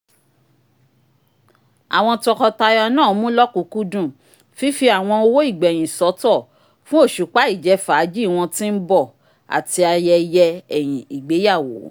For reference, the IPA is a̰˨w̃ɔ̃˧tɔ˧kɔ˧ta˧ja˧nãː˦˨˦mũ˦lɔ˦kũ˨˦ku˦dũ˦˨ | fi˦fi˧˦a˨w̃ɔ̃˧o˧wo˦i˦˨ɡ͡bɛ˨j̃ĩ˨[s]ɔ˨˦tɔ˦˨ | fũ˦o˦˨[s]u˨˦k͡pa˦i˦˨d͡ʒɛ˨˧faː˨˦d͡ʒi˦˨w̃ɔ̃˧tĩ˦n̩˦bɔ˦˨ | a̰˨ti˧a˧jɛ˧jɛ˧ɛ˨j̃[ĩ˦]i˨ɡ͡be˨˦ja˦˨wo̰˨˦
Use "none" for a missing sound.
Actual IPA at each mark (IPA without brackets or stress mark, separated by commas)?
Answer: s, ʃ, ĩ˨